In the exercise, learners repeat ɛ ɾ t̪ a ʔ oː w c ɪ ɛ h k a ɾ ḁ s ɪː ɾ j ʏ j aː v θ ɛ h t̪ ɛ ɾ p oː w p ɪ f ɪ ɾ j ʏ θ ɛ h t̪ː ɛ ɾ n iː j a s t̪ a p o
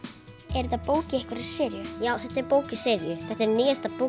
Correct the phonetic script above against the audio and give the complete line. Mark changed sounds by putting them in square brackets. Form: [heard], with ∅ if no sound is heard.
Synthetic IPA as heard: ɛ ɾ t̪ a [p] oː w c ɪ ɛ h k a ɾ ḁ s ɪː ɾ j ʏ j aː [w] θ ɛ h t̪ ɛ ɾ p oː w [c] ɪ [s] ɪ ɾ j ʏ θ ɛ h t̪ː ɛ ɾ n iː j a s t̪ a p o